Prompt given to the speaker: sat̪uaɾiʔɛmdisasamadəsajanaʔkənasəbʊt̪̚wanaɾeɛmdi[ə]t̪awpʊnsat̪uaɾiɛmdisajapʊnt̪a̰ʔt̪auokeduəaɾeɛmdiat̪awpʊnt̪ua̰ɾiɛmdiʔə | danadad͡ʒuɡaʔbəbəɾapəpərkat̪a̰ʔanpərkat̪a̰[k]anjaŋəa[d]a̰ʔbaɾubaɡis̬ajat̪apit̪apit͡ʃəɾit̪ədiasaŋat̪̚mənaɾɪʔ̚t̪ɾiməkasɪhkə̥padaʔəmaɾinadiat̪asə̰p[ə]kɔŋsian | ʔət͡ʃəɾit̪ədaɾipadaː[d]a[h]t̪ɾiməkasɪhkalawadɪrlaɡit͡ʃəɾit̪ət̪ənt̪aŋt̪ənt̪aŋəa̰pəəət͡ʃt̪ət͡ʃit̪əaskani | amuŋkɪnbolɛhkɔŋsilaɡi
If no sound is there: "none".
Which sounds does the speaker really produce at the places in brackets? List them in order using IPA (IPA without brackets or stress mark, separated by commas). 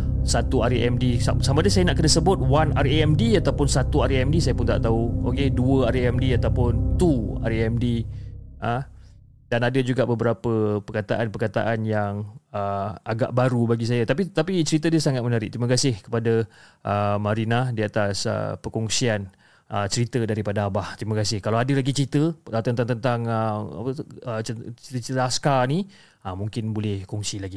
a, ʔ, ɡ, ə, b, h